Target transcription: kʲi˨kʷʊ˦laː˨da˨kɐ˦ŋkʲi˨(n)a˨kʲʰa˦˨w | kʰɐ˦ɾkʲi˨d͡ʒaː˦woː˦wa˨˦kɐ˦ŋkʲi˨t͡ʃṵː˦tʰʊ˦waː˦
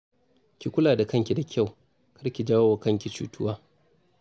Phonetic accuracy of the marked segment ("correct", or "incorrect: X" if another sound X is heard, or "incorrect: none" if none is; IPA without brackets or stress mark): incorrect: d